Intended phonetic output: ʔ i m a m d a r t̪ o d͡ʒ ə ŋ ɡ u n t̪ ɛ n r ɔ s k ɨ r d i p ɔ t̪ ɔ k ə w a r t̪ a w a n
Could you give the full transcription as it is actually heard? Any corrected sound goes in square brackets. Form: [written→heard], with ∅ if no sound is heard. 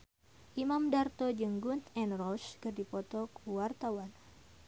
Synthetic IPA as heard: ʔ i m a m d a r t̪ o d͡ʒ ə ŋ ɡ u n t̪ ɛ n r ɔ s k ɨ r d i p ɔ t̪ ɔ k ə w a r t̪ a w a n